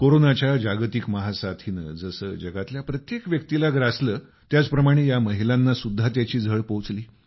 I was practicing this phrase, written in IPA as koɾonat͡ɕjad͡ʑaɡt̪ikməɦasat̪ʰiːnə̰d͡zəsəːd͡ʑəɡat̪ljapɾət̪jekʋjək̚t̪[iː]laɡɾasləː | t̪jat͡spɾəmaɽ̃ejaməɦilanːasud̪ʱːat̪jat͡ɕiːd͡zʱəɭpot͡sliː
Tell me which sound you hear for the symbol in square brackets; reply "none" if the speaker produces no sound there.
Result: i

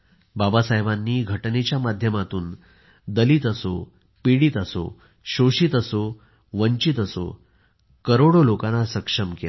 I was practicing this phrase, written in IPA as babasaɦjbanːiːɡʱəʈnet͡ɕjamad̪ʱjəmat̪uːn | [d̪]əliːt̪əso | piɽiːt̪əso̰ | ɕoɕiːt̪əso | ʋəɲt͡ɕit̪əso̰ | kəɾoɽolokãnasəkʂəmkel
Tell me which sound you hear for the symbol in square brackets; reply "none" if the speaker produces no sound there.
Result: d̪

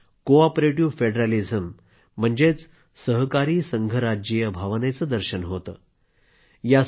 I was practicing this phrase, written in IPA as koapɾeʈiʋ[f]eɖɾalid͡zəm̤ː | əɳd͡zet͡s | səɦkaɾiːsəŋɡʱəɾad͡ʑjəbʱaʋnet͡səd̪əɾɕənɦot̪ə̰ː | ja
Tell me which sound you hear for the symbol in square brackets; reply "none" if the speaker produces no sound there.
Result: f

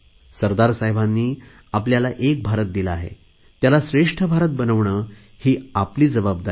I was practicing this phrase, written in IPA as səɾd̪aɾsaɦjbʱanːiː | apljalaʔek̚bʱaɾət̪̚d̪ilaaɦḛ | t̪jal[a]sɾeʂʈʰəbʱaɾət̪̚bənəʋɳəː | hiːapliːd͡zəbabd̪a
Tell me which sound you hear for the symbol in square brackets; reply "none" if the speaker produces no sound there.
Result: a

